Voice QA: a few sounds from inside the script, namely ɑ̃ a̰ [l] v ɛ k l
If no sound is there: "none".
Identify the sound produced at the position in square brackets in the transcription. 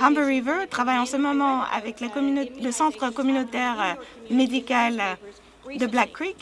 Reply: none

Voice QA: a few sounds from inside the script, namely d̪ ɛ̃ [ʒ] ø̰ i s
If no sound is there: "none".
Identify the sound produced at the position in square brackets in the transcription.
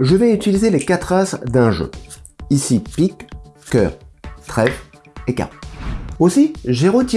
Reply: ʒ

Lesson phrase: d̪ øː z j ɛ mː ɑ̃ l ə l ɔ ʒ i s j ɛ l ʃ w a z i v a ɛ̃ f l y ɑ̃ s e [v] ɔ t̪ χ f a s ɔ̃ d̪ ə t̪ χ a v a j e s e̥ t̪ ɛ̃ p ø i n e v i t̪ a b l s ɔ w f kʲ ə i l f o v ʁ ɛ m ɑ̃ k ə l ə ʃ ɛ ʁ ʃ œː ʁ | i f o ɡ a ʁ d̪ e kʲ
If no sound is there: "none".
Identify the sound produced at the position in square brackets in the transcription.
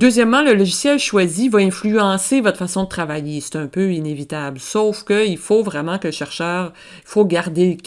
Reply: v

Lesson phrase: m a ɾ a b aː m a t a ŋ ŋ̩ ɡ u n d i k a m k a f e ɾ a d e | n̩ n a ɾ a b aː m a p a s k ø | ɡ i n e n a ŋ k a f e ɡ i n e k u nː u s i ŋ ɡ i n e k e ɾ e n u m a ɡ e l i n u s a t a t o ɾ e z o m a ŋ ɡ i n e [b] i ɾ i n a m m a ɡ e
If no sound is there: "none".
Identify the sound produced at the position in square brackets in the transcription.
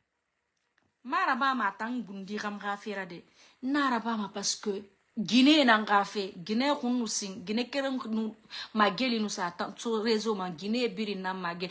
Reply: b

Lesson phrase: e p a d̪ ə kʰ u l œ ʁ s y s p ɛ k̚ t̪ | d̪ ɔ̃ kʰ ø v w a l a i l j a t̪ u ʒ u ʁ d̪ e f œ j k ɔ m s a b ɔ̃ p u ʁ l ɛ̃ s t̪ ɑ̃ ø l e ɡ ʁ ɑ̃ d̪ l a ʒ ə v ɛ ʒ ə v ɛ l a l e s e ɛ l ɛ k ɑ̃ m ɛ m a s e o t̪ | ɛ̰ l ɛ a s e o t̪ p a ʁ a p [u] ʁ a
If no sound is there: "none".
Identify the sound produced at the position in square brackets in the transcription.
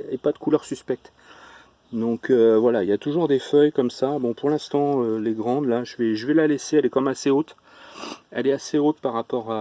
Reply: ɔ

